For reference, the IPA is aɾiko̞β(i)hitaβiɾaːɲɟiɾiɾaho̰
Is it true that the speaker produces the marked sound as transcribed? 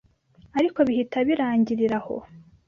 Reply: yes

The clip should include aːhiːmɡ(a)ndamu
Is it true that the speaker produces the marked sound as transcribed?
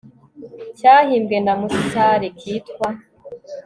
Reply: no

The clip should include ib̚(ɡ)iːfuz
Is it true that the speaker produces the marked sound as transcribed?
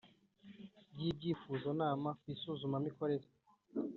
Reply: no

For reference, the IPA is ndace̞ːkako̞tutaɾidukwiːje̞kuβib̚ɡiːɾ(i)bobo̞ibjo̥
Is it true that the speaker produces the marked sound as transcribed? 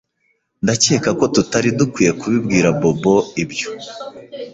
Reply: no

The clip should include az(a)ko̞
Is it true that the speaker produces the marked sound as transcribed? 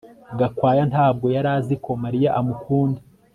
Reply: no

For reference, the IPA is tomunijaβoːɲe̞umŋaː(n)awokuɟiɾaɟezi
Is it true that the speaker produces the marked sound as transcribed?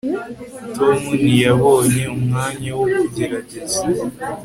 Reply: no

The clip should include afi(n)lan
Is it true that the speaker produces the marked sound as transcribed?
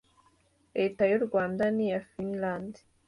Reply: yes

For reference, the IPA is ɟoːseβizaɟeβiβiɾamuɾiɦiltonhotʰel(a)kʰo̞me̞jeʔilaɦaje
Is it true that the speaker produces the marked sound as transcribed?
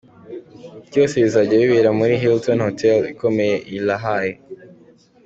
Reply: no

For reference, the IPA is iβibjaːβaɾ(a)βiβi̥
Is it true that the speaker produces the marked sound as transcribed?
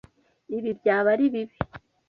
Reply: no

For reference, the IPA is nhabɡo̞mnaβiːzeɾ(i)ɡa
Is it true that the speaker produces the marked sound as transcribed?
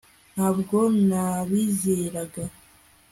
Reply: no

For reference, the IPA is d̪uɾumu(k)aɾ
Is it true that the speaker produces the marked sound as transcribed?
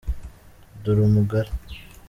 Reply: no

